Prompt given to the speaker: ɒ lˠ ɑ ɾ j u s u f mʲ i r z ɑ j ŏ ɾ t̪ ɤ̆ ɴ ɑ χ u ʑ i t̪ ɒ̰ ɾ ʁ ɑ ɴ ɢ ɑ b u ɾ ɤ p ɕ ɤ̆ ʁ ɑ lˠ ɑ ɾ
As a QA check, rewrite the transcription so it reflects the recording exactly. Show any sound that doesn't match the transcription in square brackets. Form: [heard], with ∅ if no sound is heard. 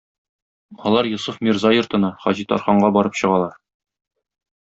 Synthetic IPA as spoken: ɒ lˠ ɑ ɾ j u s u f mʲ i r z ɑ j ŏ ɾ t̪ ɤ̆ [n] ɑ χ [ɒ] ʑ i t̪ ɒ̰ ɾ [χ] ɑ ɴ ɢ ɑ b [ɒ] ɾ ɤ p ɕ ɤ̆ ʁ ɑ lˠ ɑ ɾ